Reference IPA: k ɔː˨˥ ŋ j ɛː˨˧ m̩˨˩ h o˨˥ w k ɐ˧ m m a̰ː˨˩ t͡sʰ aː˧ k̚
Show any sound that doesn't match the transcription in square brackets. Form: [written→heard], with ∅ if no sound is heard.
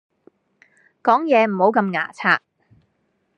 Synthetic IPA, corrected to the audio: k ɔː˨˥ ŋ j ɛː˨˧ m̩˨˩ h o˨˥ w k ɐ˧ m [m→ŋ] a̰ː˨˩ t͡sʰ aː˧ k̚